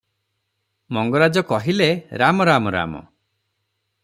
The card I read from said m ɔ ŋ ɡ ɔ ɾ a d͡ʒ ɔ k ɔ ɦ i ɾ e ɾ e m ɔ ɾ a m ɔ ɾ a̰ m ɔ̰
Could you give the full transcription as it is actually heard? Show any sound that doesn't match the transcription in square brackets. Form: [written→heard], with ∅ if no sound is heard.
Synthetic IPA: m ɔ ŋ ɡ ɔ ɾ a d͡ʒ ɔ k ɔ ɦ i [ɾ→l] e ɾ [e→a] m ɔ ɾ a m ɔ ɾ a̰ m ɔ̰